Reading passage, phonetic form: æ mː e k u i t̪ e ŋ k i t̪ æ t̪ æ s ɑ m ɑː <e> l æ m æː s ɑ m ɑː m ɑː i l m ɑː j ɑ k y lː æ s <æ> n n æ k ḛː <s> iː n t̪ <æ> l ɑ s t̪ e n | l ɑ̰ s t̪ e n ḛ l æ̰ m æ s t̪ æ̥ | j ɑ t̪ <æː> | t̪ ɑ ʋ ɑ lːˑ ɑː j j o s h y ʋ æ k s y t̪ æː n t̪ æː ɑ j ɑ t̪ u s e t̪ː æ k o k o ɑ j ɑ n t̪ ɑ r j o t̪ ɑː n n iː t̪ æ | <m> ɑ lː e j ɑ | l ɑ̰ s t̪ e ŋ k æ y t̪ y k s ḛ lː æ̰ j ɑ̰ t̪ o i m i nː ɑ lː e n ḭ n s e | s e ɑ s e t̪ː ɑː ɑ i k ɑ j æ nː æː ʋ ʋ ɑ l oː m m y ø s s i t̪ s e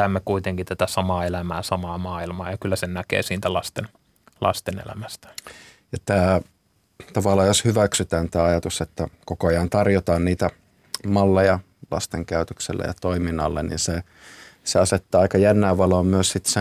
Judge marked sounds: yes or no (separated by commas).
yes, no, yes, yes, yes, yes